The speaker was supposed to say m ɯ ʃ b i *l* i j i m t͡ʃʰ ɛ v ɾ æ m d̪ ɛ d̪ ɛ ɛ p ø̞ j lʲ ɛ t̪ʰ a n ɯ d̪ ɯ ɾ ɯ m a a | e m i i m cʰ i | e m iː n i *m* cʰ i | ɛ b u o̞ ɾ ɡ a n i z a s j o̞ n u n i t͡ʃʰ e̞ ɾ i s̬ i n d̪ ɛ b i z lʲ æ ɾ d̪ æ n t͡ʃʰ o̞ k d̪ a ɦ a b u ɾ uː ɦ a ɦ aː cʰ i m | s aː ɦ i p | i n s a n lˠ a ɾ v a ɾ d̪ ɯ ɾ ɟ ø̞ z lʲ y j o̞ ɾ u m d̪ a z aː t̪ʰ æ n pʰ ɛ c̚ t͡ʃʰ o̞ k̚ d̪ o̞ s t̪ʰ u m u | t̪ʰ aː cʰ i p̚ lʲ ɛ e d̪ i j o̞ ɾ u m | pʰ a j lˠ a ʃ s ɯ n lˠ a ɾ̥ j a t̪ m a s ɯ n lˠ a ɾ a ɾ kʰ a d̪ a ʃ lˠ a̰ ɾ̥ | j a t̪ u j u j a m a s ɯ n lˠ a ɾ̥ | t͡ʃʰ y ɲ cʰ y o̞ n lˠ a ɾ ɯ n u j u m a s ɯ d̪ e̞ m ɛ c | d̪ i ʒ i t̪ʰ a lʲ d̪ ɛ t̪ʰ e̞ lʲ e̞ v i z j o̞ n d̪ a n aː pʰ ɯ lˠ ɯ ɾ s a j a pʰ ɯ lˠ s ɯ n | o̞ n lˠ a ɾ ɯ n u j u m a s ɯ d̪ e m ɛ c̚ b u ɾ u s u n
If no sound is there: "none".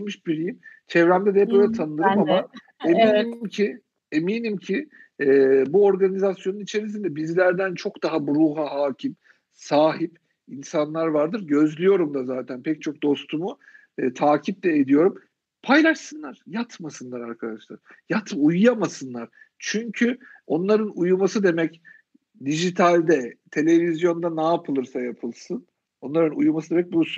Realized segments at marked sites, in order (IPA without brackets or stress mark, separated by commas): ɾ, m